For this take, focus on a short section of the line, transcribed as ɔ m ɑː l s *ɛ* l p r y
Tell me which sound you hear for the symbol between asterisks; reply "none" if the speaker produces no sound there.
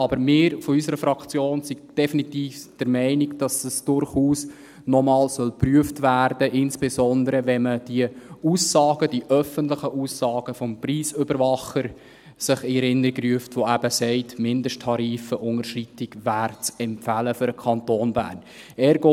œ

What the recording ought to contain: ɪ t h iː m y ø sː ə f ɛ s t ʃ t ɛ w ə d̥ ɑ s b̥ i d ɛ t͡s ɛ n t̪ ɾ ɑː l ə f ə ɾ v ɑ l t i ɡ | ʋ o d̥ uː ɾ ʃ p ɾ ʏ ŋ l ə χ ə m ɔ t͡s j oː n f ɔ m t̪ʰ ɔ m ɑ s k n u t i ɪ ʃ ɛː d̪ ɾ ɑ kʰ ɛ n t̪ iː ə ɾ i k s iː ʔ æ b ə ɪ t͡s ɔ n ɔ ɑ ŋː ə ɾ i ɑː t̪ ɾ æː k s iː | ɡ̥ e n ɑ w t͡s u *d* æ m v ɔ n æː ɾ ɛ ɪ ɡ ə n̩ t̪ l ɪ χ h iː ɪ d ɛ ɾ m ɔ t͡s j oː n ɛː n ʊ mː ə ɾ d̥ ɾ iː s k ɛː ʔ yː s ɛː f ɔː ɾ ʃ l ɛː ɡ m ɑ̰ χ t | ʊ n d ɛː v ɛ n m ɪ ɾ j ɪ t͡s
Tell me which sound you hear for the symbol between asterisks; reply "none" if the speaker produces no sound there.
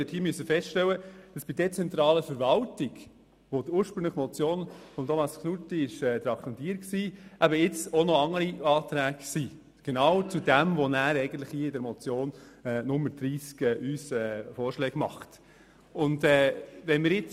d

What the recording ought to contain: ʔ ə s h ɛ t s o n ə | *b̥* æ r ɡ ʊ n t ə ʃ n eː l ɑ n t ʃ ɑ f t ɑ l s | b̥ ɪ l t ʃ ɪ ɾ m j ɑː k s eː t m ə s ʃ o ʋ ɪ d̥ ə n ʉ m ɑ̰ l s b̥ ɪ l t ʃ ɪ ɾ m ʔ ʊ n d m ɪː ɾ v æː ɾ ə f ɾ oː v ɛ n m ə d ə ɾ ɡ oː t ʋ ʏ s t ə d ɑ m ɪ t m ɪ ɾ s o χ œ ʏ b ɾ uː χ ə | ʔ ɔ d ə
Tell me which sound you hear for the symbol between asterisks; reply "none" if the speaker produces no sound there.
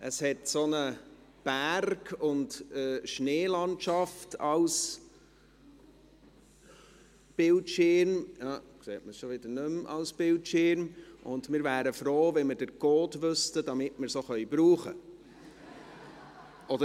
b̥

